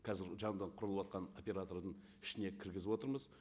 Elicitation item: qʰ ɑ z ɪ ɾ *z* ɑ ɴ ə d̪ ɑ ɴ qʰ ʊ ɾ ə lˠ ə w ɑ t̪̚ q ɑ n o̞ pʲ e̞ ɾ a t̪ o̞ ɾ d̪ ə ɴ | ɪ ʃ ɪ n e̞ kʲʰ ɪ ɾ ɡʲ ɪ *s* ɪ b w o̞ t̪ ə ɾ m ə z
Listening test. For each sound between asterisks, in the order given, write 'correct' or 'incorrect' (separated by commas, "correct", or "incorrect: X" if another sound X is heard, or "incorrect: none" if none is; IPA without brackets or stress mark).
incorrect: ʒ, incorrect: z